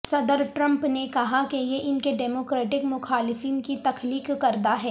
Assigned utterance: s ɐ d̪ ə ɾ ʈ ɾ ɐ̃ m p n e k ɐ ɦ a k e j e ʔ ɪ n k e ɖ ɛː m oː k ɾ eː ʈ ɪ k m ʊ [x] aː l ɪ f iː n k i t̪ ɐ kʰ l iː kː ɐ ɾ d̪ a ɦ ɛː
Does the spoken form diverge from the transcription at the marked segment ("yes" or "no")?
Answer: no